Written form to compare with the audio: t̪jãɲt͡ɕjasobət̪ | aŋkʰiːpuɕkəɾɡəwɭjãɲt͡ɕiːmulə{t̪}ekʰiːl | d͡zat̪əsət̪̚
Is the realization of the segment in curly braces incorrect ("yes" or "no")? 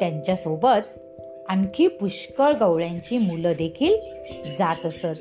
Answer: yes